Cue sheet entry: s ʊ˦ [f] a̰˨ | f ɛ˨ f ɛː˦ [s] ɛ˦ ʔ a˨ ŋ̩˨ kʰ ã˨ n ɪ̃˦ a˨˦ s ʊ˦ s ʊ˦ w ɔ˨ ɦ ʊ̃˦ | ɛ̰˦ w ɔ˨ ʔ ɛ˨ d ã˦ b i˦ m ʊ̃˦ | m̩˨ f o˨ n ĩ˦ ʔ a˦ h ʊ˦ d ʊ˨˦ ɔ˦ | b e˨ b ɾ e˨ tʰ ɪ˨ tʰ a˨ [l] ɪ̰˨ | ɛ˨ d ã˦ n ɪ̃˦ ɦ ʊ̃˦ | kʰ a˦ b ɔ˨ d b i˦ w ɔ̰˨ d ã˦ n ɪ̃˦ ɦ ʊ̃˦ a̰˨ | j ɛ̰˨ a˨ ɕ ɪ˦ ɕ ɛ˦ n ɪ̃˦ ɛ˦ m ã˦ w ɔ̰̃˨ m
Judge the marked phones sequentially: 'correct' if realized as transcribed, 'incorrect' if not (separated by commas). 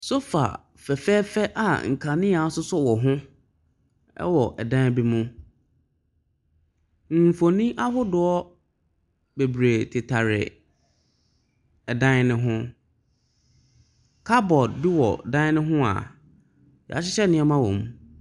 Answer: correct, incorrect, incorrect